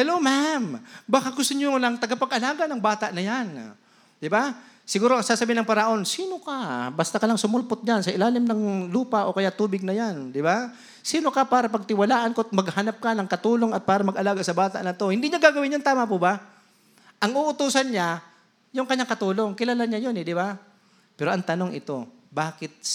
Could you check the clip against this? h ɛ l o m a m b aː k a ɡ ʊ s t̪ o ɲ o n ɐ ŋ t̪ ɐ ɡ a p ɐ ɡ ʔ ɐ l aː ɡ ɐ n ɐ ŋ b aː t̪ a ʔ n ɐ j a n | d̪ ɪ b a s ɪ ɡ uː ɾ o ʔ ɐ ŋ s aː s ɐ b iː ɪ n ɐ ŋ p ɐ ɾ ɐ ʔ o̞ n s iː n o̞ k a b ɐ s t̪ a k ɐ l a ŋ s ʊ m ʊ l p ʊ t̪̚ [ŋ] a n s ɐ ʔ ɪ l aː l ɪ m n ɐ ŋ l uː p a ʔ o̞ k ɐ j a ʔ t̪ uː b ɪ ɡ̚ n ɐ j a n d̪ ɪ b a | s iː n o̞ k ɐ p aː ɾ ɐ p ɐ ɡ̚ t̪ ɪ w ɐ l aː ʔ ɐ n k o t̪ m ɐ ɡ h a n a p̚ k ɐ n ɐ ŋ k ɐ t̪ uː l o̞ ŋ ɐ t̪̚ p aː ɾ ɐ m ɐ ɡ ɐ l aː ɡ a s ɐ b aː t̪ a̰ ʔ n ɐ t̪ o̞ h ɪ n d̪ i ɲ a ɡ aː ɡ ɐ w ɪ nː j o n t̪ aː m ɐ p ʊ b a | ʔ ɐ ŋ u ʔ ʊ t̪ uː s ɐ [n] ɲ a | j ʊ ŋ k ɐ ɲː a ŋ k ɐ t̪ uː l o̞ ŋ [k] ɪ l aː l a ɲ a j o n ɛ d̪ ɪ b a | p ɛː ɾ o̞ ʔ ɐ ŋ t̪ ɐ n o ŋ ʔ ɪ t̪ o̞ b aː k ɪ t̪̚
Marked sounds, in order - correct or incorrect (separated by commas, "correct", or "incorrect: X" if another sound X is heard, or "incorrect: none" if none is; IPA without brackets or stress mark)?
incorrect: ɲ, correct, correct